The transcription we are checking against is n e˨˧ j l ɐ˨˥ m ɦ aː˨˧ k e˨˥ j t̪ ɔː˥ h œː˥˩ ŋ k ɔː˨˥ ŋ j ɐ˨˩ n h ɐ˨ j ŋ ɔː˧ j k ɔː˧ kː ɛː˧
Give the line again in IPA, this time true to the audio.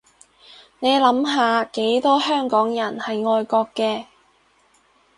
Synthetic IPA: n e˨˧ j l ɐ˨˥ m ɦ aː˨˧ k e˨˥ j t̪ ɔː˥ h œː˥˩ ŋ k ɔː˨˥ ŋ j ɐ˨˩ n h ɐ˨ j ŋ ɔː˧ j k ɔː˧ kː ɛː˧